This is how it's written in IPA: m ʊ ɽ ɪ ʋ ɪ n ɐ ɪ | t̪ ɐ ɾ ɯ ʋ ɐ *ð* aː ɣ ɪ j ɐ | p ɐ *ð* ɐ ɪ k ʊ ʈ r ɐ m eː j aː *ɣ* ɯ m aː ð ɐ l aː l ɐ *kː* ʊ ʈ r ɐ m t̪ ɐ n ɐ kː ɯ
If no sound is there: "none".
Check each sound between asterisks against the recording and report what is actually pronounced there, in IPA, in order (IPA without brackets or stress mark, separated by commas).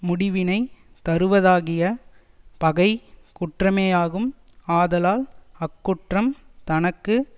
ð, ɣ, ɣ, kː